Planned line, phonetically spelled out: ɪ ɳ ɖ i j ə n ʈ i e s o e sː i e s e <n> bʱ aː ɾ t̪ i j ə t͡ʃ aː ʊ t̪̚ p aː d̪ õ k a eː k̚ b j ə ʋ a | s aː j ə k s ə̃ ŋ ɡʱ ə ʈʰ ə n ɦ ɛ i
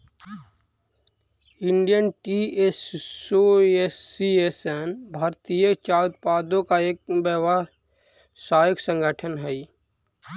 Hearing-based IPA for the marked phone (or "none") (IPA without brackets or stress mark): n